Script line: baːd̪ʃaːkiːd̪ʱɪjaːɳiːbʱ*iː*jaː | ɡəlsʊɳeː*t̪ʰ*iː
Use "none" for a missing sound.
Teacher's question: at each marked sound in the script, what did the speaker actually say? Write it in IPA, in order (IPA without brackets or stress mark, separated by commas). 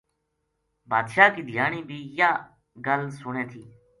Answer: iː, t̪ʰ